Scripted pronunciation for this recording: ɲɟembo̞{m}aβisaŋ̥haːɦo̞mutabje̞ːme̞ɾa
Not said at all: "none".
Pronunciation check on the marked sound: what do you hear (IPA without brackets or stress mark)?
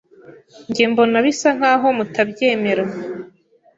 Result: n